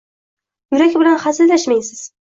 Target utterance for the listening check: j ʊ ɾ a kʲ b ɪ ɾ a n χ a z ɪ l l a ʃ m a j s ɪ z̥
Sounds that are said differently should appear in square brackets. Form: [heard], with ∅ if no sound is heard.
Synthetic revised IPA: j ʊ ɾ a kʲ b ɪ [l] a n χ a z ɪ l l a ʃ m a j s ɪ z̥